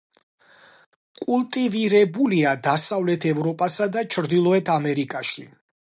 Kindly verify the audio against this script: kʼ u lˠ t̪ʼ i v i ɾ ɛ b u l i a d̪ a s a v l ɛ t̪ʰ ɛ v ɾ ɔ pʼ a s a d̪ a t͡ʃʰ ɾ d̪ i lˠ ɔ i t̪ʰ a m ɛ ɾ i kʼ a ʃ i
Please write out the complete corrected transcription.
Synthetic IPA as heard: kʼ u lˠ t̪ʼ i v i ɾ ɛ b u l i a d̪ a s a v l ɛ t̪ʰ ɛ v ɾ ɔ pʼ a s a d̪ a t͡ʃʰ ɾ d̪ i lˠ ɔ ɛ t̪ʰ a m ɛ ɾ i kʼ a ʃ i